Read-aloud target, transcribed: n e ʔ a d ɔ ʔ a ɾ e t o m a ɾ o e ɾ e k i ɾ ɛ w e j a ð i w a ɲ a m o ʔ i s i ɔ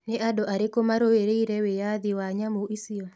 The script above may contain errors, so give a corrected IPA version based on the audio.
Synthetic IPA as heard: n e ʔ a d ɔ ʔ a ɾ e k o m a ɾ o e ɾ e i ɾ ɛ w e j a ð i w a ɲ a m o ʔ i s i ɔ